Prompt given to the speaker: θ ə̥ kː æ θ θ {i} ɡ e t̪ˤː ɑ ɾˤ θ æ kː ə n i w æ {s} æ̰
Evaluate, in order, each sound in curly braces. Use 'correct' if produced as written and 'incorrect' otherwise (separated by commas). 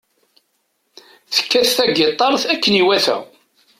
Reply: incorrect, incorrect